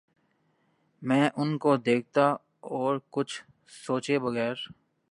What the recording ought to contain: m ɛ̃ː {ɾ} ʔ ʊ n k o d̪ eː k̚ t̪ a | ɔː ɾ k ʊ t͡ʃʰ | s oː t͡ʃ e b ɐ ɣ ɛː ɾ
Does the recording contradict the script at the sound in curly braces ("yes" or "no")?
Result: yes